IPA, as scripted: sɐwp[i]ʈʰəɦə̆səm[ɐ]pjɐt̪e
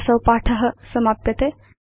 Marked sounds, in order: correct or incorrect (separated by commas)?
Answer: incorrect, incorrect